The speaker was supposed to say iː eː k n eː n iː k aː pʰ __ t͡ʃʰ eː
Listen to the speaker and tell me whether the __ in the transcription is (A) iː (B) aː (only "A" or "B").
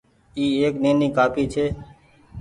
A